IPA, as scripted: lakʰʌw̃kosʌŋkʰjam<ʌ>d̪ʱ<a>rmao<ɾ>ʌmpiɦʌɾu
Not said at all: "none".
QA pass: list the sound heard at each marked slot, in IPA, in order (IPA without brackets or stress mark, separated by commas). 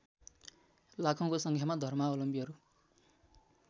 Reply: a, ʌ, l